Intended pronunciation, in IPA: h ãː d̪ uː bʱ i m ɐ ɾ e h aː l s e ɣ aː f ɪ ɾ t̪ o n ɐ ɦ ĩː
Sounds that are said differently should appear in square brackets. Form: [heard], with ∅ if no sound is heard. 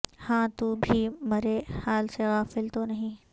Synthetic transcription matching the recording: h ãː [t̪] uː bʱ i m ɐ ɾ e h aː l s e ɣ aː f ɪ [l] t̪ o n ɐ ɦ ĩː